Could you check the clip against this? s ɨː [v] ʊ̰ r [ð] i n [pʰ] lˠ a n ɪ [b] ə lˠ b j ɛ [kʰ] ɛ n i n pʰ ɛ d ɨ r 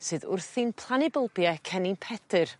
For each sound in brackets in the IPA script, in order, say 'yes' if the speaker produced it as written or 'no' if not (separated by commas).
no, no, yes, yes, yes